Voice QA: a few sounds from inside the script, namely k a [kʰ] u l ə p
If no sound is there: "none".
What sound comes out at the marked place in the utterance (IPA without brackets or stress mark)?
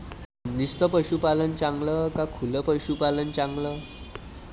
kʰ